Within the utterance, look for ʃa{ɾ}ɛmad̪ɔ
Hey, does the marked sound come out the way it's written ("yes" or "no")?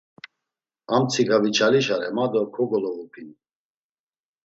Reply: yes